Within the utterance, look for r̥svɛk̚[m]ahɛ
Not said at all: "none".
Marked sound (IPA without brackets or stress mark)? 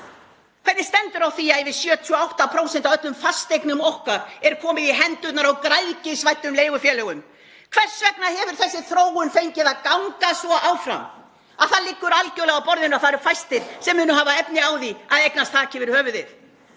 n